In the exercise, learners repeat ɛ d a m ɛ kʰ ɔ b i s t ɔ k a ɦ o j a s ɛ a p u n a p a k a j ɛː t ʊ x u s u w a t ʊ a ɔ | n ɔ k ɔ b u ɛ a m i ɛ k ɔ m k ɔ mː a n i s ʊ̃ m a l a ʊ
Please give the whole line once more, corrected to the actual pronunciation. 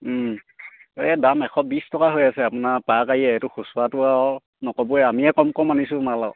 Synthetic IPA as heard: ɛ d a m ɛ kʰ ɔ b i s t ɔ k a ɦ o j a s ɛ a p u n a p a k a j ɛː t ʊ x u s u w a t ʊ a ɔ | n ɔ k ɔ b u ɛ a m i ɛ k ɔ m k ɔ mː a n i s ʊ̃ m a l a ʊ